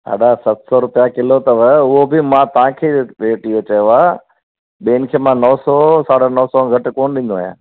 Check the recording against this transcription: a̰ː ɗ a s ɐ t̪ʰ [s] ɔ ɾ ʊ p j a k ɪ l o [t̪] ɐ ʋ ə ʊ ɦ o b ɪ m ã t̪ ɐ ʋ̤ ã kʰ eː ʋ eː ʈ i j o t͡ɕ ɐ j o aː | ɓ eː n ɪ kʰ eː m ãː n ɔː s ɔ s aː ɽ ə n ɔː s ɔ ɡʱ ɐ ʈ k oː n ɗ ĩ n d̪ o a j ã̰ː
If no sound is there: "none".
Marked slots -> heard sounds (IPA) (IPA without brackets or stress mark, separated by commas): s, t̪